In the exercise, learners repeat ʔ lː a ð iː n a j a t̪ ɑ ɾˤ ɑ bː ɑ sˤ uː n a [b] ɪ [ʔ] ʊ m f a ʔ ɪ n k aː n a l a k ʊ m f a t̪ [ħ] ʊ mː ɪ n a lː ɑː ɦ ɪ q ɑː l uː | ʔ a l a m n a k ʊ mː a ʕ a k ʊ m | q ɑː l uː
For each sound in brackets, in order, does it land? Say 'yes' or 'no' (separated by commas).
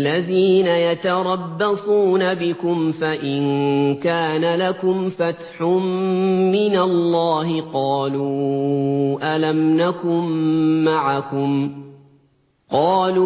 yes, no, yes